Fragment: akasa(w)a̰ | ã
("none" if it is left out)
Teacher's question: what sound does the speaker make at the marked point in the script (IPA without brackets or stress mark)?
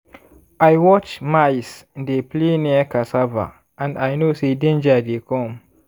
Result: v